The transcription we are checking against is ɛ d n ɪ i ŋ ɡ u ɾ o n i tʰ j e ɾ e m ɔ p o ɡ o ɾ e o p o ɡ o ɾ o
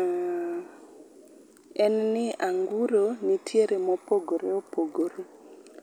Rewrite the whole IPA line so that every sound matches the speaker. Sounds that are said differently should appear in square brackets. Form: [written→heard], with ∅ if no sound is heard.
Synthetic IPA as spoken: ɛ [d→n] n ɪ [i→a] ŋ ɡ u ɾ o n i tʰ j e ɾ e m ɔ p o ɡ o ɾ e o p o ɡ o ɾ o